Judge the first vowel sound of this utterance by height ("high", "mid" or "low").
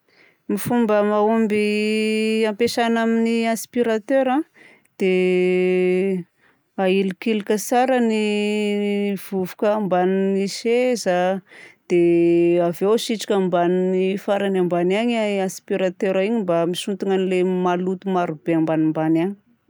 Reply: high